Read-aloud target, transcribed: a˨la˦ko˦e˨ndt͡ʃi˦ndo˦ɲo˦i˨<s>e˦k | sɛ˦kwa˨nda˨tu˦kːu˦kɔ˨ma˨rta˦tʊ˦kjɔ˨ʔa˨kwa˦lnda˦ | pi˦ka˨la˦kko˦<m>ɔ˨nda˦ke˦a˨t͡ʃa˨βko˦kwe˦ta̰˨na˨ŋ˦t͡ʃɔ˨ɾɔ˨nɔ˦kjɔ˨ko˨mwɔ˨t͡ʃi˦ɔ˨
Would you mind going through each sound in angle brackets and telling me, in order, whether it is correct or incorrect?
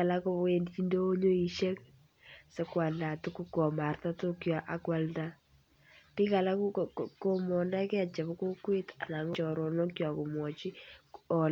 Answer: incorrect: ʃ, correct

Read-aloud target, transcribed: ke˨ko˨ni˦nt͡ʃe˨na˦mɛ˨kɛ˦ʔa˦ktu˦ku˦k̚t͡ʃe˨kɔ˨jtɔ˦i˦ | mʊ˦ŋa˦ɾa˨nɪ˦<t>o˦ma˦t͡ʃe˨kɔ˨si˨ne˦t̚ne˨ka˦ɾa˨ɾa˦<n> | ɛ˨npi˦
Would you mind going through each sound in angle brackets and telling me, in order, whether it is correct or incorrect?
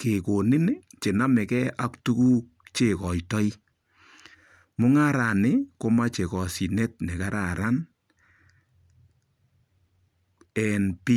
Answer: incorrect: k, correct

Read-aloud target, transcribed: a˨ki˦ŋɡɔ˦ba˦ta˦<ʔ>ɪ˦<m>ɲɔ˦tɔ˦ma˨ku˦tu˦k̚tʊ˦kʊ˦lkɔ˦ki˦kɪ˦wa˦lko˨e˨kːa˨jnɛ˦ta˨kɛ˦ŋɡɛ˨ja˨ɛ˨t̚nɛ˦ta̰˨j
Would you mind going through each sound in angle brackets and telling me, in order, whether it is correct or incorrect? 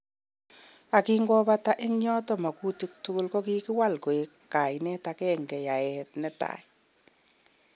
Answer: correct, incorrect: ŋ

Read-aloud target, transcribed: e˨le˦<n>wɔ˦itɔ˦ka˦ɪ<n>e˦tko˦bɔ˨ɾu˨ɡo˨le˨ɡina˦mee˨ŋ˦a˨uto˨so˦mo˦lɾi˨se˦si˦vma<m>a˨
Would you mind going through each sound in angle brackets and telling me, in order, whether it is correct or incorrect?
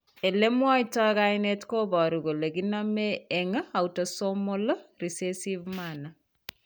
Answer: incorrect: m, correct, incorrect: n

